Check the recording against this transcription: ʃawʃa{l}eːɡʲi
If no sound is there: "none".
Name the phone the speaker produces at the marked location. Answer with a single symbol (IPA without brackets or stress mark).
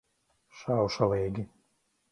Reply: l